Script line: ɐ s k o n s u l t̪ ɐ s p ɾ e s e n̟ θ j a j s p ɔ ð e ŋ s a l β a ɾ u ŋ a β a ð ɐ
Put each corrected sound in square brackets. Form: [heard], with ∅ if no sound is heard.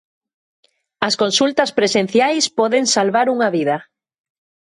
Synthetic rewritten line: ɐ s k o n s u l t̪ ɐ s p ɾ e s e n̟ θ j a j s p ɔ ð e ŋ s a l β a ɾ u ŋ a β [i] ð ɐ